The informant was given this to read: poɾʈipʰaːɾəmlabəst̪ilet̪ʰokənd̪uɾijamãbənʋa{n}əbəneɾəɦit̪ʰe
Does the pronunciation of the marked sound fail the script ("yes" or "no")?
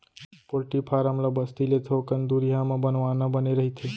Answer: no